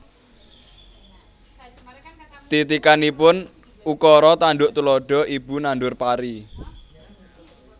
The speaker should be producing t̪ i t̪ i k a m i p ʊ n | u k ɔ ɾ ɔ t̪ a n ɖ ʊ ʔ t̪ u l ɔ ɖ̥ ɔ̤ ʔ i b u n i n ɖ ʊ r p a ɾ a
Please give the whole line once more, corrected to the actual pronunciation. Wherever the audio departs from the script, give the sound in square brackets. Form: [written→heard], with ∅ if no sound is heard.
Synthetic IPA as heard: t̪ i t̪ i k a [m→n] i p ʊ n | u k ɔ ɾ ɔ t̪ a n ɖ ʊ ʔ t̪ u l ɔ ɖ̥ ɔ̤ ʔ i b u n [i→a] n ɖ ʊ r p a ɾ [a→i]